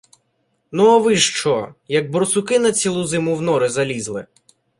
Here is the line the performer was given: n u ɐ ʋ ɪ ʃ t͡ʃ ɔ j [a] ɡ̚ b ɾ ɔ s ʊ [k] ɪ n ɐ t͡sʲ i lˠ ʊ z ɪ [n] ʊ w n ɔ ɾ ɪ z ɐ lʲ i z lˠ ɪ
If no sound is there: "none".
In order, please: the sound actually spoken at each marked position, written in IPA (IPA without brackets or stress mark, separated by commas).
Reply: ɐ, k, m